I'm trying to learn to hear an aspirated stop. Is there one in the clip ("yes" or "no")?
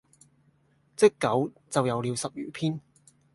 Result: yes